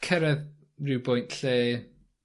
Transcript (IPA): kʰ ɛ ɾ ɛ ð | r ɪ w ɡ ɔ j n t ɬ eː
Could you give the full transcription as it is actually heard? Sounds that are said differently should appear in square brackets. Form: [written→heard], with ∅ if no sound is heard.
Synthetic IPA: kʰ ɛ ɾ ɛ ð | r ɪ w [ɡ→b] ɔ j n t ɬ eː

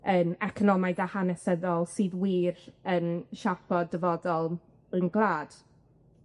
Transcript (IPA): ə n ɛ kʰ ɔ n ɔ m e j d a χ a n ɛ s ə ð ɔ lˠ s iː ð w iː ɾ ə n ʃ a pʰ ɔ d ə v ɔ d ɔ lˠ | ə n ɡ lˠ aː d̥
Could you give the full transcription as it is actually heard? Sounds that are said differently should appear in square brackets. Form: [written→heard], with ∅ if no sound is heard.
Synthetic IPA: ə n ɛ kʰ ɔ n ɔ m [e→a] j d a [χ→h] a n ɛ s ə ð ɔ lˠ s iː ð w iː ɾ ə n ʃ a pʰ ɔ d ə v ɔ d ɔ lˠ | ə n ɡ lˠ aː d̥

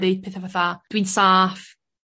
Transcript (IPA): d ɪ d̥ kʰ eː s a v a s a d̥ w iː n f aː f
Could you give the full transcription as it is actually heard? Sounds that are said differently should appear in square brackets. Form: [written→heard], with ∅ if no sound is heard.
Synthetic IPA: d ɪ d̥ [kʰ→pʰ] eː [s→θ] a v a [s→θ] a d̥ w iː n [f→s] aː f

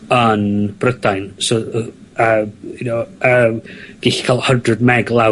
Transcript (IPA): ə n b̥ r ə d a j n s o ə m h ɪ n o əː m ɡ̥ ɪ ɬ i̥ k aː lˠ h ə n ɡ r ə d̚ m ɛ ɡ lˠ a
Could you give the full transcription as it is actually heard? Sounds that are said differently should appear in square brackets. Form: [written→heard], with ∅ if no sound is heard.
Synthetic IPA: ə n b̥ r ə d a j n s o ə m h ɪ n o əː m ɡ̥ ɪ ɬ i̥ [k→kʰ] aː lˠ h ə n [ɡ→d] r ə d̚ m ɛ ɡ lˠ a

